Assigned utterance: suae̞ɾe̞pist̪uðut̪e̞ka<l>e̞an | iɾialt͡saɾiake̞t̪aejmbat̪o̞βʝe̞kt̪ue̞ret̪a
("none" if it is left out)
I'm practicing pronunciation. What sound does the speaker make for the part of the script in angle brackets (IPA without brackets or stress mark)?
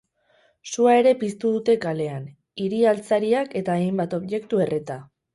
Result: l